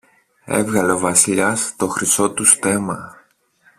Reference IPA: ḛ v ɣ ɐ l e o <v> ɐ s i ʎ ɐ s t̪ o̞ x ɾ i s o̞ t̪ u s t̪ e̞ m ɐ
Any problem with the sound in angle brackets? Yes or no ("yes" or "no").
no